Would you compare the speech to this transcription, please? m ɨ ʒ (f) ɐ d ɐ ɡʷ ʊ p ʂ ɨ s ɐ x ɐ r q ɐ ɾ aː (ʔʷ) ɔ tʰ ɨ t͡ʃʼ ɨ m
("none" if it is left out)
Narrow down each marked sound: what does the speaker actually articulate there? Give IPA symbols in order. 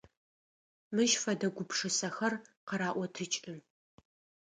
f, ʔʷ

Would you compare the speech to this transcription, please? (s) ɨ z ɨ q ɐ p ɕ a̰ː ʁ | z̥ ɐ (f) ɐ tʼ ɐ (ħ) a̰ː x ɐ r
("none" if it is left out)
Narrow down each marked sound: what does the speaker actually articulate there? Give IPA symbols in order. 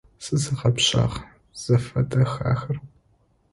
s, f, x

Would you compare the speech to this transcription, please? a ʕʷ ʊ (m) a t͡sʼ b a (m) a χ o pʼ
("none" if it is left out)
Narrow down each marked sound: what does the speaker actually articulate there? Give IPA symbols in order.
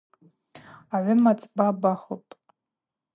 m, b

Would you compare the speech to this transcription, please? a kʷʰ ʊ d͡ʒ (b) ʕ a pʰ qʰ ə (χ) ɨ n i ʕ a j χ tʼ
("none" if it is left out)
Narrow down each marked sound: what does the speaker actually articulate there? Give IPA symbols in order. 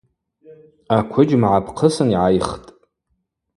m, s

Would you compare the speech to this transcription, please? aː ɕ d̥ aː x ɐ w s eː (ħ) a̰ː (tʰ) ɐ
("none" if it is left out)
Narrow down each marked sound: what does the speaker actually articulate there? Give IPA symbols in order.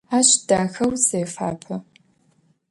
f, pʰ

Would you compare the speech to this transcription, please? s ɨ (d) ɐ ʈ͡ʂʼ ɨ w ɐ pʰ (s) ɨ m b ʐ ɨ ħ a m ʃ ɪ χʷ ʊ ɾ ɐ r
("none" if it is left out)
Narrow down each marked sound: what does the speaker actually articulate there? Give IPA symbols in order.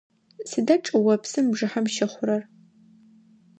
d, s

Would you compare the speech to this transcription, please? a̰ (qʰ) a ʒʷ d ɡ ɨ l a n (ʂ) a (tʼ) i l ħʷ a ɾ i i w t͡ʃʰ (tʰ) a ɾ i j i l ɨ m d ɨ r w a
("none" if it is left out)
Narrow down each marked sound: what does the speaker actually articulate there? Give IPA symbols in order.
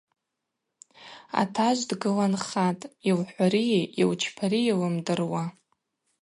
tʰ, χ, tʼ, pʰ

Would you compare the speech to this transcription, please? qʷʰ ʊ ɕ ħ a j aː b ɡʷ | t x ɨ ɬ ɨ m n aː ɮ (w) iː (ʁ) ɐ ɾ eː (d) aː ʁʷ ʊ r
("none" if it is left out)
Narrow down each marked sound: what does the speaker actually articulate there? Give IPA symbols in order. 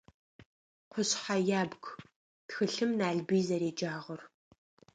b, z, d͡ʒ

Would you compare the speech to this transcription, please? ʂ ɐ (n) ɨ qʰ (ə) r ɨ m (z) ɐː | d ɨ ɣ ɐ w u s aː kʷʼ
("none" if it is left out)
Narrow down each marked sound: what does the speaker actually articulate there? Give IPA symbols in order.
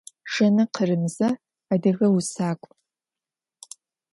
n, ə, z

